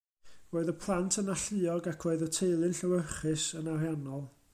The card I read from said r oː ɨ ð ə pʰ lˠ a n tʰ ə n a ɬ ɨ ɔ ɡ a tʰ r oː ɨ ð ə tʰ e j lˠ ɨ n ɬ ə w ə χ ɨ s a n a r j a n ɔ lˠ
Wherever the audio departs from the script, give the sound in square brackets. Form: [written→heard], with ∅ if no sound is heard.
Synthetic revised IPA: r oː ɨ ð ə pʰ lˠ a n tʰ ə n a ɬ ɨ ɔ ɡ a [tʰ→kʰ] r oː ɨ ð ə tʰ e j lˠ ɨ n ɬ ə w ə χ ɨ s [a→ə] n a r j a n ɔ lˠ